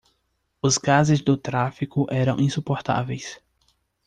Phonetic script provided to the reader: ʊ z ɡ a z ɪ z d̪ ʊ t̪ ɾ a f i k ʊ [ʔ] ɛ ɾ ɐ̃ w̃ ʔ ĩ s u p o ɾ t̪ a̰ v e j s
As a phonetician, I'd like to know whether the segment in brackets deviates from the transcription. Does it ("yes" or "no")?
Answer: no